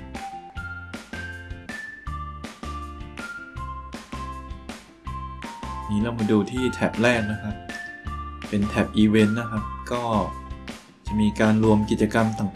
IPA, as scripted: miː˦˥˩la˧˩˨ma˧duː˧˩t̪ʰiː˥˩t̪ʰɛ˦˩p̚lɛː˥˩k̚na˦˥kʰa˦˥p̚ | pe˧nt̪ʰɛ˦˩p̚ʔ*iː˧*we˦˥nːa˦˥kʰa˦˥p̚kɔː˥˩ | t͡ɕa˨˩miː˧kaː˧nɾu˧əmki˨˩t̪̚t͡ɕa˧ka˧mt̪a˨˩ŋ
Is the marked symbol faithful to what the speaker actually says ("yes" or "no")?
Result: yes